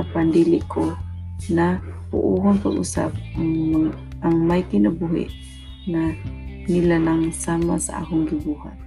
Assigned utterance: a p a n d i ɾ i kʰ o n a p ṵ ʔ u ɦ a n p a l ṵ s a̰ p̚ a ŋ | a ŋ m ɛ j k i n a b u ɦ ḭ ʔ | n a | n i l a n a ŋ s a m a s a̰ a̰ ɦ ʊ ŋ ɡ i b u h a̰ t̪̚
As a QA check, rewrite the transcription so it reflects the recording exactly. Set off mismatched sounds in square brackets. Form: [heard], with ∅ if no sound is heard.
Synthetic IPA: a p a n d i [l] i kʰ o n a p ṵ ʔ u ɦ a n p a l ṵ s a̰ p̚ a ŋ | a ŋ m [a] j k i n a b u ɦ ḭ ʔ | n a | n i l a n a ŋ s a m a s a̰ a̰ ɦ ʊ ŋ ɡ i b u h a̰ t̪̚